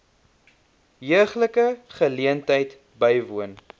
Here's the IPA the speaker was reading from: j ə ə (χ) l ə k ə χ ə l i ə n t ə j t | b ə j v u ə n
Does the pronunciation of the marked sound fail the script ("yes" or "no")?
no